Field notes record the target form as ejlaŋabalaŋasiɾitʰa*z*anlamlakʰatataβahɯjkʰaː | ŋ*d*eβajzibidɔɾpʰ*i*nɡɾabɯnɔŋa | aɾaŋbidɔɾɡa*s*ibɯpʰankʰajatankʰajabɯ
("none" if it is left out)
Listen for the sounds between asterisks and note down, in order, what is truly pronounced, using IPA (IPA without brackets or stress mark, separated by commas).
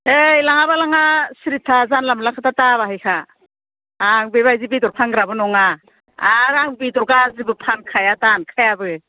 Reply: z, b, a, z